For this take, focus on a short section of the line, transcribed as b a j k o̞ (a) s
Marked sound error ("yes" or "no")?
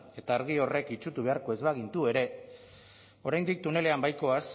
no